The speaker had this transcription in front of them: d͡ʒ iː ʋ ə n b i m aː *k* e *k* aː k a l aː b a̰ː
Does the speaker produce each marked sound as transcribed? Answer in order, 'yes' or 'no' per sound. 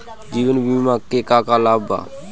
yes, yes

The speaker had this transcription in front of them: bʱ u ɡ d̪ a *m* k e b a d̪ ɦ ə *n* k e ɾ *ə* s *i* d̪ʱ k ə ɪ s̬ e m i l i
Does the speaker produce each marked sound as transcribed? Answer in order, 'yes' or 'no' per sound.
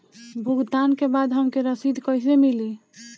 no, no, yes, yes

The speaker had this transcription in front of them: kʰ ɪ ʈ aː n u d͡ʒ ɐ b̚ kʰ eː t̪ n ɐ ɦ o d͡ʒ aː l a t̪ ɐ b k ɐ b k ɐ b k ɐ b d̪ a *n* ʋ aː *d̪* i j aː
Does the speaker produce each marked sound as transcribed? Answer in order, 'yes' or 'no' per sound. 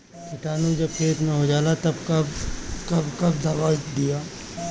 no, yes

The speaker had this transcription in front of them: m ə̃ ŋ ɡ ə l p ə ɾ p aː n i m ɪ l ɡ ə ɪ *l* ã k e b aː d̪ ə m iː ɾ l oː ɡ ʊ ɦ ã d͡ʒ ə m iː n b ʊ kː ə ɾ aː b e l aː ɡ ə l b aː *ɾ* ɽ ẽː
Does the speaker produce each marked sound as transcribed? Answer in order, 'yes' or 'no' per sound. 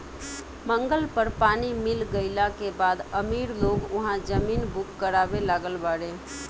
yes, no

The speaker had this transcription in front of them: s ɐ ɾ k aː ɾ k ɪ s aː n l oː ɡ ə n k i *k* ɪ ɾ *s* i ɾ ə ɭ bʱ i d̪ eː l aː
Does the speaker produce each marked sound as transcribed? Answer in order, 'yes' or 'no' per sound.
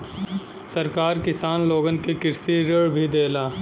yes, yes

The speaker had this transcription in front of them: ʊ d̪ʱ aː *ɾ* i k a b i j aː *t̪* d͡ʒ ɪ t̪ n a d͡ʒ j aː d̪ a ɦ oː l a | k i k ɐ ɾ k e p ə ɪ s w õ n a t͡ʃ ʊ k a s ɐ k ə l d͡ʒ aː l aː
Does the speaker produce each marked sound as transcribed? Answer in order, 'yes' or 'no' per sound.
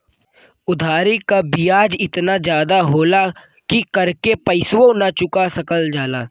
yes, no

